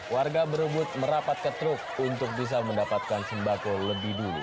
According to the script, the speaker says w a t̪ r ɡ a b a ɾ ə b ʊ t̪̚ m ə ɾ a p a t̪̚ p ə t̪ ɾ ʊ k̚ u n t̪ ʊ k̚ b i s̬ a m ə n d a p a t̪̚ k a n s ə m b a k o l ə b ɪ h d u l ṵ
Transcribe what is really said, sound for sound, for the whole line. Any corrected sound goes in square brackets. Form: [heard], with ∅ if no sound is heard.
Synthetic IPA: w a [∅] r ɡ a b [ə] ɾ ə b ʊ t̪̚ m ə ɾ a p a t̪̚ [k] ə t̪ ɾ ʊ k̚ u n t̪ ʊ k̚ b i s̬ a m ə n d a p a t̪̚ k a n s ə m b a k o l ə b ɪ h d u l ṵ